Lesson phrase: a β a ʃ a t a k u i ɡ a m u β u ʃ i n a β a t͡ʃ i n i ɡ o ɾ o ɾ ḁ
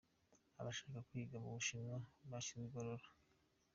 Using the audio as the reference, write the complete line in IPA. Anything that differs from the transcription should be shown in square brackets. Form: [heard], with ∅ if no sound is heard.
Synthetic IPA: a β a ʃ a [k] a k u i ɡ a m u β u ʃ i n a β a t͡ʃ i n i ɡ o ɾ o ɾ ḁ